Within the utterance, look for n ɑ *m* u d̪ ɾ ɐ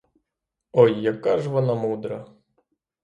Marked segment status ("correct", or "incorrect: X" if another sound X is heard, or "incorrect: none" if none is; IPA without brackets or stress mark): correct